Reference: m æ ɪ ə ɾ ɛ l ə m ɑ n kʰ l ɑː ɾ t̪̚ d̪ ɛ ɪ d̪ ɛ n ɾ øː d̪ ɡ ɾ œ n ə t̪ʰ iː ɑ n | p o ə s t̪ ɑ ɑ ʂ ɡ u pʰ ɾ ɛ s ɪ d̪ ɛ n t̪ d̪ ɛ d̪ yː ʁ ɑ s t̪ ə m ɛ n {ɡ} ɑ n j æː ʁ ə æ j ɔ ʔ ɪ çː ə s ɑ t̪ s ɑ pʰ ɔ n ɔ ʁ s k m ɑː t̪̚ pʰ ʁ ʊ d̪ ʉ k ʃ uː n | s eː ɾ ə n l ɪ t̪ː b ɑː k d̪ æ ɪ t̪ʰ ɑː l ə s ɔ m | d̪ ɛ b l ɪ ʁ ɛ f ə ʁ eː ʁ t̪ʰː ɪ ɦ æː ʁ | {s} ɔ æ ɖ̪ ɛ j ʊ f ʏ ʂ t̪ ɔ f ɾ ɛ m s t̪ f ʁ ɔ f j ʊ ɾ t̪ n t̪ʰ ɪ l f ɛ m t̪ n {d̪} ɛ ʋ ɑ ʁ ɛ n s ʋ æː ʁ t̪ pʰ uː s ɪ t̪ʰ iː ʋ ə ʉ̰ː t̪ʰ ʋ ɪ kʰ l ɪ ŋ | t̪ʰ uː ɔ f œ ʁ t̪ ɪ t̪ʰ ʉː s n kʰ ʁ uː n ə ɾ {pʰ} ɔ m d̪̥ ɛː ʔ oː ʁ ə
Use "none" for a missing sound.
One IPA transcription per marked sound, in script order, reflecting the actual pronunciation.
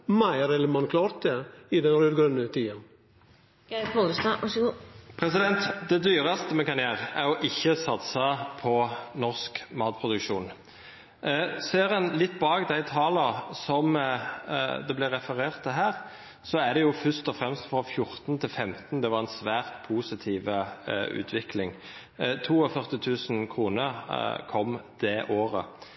k, s, d̪, kʰ

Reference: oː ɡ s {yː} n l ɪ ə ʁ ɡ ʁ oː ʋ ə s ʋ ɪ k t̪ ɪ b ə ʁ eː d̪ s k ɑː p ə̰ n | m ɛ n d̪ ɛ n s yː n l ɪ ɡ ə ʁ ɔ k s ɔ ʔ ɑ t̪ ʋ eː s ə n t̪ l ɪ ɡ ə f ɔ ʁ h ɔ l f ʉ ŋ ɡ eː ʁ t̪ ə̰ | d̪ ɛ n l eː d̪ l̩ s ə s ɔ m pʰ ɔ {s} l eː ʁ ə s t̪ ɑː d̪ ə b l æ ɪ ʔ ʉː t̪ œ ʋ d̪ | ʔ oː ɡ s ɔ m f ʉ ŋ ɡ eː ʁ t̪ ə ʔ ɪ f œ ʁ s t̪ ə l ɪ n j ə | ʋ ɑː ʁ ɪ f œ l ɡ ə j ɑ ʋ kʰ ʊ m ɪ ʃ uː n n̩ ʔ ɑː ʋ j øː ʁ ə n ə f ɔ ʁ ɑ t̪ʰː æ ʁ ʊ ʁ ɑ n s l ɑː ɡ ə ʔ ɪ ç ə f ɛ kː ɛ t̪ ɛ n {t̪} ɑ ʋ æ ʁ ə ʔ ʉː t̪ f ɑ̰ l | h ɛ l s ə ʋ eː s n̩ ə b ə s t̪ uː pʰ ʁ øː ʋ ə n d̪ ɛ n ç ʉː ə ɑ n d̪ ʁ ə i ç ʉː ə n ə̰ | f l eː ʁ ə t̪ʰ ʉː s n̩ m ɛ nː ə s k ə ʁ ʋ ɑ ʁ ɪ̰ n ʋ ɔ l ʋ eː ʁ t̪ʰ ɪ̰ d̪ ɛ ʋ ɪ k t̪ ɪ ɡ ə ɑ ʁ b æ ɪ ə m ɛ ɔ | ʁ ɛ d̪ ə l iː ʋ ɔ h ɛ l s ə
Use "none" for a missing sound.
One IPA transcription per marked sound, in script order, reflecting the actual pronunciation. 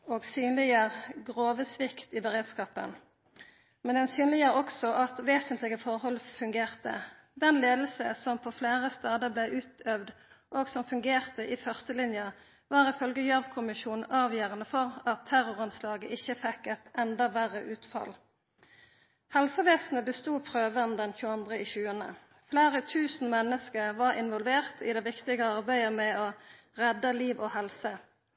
yː, f, d̪

